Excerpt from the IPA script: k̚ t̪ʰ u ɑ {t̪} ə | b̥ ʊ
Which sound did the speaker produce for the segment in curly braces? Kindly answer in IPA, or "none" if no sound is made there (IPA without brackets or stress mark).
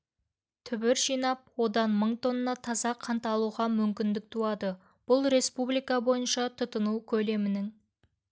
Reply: d̪